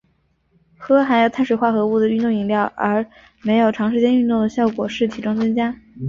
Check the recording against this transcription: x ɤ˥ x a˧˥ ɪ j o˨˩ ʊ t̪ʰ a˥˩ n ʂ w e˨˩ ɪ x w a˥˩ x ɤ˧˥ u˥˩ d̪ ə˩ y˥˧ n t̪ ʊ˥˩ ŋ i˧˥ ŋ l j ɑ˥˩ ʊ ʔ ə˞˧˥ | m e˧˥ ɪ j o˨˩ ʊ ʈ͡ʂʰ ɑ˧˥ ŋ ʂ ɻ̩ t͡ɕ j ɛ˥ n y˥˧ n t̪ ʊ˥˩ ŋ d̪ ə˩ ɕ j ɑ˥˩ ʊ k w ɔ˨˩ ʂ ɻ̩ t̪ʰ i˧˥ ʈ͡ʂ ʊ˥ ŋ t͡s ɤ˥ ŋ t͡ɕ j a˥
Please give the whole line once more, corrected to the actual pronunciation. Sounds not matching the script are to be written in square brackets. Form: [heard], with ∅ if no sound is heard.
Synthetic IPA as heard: x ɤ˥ x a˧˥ ɪ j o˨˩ ʊ t̪ʰ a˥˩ n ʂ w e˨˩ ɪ x w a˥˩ x ɤ˧˥ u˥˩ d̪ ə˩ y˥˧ n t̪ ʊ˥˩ ŋ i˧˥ ŋ l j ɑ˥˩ ʊ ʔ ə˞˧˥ | m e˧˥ ɪ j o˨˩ ʊ ʈ͡ʂʰ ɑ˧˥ ŋ ʂ ɻ̩ t͡ɕ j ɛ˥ n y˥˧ n t̪ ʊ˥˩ ŋ d̪ ə˩ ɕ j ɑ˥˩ ʊ k w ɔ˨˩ ʂ ɻ̩ t̪ʰ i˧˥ ʈ͡ʂ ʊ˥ ŋ t͡s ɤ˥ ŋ t͡ɕ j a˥